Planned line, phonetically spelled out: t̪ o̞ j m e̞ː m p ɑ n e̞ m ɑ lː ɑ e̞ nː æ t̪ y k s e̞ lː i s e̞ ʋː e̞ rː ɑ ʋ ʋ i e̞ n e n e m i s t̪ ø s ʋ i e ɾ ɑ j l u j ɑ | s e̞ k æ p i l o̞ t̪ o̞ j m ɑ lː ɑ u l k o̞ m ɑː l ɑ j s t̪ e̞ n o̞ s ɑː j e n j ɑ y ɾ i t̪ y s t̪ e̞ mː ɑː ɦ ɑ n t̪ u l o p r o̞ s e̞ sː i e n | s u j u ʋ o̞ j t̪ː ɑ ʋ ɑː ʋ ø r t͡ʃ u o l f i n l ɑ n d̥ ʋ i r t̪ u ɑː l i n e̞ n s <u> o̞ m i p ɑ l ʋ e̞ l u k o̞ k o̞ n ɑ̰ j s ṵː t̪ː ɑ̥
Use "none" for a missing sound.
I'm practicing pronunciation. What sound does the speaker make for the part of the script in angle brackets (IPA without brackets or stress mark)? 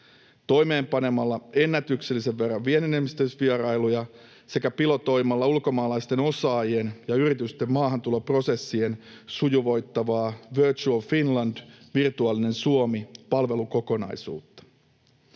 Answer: u